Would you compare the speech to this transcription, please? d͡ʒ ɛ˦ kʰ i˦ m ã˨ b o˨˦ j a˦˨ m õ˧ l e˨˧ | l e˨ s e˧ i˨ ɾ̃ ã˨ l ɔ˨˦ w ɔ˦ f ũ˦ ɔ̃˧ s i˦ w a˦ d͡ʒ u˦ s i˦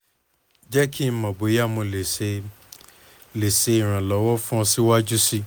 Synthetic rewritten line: d͡ʒ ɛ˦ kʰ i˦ m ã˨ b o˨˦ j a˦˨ m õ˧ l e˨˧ | l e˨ s e˧ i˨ ɾ̃ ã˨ l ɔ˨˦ w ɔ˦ f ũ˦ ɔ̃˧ s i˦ w a˦ d͡ʒ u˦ s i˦

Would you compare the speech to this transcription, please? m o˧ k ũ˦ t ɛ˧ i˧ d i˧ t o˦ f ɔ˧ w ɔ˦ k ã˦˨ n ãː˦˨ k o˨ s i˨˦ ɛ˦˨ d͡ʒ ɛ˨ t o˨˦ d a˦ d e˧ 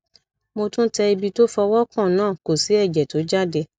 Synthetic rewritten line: m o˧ t ũ˦ t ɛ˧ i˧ b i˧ t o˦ f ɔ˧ w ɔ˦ k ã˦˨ n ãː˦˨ k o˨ s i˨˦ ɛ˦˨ d͡ʒ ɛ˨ t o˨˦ d͡ʒ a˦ d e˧

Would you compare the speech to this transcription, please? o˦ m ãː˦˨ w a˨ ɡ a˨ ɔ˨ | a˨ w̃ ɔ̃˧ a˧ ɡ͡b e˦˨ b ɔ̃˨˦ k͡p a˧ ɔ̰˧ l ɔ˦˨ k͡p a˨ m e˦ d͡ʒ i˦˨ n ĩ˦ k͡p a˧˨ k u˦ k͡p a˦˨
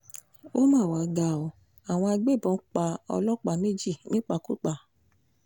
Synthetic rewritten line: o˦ m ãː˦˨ w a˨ ɡ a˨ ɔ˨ | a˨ w̃ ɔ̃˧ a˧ ɡ͡b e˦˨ b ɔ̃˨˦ k͡p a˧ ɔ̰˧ l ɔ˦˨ k͡p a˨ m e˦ d͡ʒ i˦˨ n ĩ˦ k͡p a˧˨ k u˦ k͡p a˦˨

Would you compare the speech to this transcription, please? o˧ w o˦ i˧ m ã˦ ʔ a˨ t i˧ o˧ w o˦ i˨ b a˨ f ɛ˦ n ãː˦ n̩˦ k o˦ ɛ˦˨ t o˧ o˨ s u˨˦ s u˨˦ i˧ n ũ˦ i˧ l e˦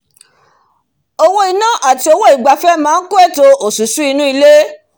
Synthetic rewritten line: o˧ w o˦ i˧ n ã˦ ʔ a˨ t i˧ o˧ w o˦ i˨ ɡ͡b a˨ f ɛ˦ m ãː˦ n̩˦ k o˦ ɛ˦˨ t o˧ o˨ s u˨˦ s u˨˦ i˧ n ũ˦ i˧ l e˦

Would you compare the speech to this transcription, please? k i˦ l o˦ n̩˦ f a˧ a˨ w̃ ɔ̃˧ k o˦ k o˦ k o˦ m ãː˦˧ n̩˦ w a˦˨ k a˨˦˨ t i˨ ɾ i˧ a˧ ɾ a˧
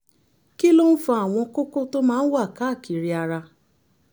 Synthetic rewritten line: k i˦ l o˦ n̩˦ f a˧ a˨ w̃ ɔ̃˧ k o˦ k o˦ t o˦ m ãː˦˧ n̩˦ w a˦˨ k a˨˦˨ k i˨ ɾ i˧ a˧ ɾ a˧

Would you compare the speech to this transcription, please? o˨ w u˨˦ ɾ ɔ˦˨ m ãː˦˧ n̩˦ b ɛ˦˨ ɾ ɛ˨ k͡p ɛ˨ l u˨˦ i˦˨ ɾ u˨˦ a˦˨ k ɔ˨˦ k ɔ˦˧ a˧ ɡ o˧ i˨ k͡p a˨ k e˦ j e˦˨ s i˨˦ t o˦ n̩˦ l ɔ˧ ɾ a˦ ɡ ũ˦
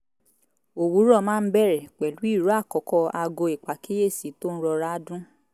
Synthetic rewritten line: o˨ w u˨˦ ɾ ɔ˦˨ m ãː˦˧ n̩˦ b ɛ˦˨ ɾ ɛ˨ k͡p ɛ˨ l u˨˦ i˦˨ ɾ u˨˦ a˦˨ k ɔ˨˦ k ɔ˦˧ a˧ ɡ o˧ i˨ k͡p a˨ k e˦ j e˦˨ s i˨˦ t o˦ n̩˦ ɾ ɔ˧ ɾ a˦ d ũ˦

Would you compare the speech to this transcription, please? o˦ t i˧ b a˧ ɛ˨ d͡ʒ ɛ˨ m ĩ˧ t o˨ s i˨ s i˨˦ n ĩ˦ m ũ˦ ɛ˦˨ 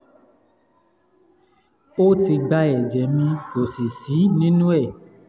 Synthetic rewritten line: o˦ t i˧ ɡ͡b a˧ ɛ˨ d͡ʒ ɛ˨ m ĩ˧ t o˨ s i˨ s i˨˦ n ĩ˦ n ũ˦ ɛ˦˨

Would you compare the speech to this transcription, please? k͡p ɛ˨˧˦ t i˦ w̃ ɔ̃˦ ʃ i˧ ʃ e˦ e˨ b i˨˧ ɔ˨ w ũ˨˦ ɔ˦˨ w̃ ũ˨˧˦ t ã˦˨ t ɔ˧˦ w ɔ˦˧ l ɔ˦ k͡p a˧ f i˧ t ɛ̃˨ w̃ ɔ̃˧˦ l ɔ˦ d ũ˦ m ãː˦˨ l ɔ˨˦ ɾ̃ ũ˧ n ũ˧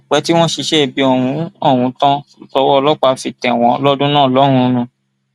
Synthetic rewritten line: k͡p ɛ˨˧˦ t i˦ w̃ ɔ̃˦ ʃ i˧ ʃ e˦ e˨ b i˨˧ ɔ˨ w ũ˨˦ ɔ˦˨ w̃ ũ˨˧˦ t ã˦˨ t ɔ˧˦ w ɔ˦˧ l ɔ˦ k͡p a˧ f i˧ t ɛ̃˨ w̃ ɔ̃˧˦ l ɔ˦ d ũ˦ n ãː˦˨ l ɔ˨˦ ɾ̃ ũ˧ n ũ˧

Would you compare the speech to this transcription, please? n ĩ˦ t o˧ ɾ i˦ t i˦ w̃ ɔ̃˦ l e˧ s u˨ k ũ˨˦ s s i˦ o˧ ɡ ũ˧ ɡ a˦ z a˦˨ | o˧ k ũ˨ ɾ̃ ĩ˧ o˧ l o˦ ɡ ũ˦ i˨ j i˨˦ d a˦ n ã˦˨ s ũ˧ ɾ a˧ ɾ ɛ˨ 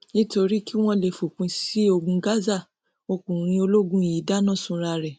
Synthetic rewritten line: n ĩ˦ t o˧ ɾ i˦ k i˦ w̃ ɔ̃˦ l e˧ f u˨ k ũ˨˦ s s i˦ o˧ ɡ ũ˧ ɡ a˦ z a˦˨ | o˧ k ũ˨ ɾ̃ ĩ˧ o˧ l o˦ ɡ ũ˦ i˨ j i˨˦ d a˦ n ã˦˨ s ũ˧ ɾ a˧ ɾ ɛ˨

